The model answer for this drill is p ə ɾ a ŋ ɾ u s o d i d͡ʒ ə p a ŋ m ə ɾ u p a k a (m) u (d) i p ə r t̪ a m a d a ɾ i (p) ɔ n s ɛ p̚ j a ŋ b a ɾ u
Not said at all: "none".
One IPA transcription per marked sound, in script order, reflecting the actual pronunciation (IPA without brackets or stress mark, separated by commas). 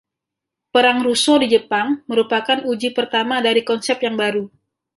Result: n, d͡ʒ, k